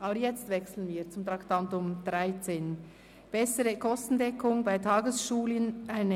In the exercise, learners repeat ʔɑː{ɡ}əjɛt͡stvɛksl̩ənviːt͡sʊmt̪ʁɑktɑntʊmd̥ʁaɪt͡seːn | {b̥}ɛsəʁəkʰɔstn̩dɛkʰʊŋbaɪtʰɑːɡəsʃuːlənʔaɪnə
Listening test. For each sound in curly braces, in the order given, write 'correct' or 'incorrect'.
incorrect: b, correct

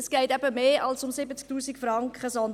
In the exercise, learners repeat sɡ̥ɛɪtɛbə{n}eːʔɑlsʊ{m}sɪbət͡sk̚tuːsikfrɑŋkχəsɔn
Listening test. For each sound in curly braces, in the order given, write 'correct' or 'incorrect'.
incorrect: m, correct

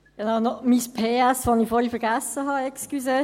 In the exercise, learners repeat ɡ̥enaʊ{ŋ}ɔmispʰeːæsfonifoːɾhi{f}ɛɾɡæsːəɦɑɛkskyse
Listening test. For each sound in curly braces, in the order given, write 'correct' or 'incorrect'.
incorrect: n, correct

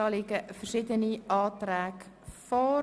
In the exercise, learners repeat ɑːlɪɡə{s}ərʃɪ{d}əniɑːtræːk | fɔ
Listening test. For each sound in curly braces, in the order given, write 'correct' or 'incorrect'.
incorrect: f, correct

